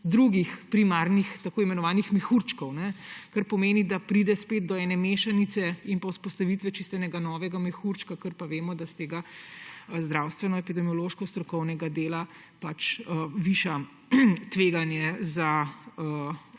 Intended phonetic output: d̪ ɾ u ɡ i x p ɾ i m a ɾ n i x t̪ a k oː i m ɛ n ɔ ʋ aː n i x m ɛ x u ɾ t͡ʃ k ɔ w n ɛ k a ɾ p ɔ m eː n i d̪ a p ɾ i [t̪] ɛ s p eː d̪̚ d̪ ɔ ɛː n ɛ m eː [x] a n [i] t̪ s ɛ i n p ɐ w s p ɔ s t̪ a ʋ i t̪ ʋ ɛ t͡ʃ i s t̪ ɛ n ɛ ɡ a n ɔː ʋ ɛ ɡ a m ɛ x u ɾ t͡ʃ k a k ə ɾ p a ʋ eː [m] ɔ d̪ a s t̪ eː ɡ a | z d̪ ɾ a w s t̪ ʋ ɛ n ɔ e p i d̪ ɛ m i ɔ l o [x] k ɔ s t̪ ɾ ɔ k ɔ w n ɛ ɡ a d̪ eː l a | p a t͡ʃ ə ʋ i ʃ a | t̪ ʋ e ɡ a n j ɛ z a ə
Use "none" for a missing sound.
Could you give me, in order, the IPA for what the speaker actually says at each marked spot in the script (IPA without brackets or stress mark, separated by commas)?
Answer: d̪, ʃ, i, m, ʃ